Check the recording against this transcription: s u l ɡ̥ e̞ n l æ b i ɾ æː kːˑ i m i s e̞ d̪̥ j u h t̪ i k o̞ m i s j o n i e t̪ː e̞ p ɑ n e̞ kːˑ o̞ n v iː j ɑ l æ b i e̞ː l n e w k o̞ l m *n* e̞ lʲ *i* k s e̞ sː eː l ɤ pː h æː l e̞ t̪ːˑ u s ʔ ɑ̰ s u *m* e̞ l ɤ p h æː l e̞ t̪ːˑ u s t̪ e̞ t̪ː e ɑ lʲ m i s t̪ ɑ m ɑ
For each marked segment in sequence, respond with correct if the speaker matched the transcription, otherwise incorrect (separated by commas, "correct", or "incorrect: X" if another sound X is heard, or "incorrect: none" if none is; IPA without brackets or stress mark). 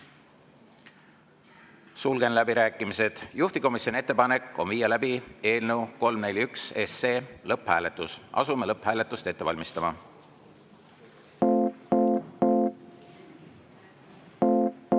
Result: correct, incorrect: y, correct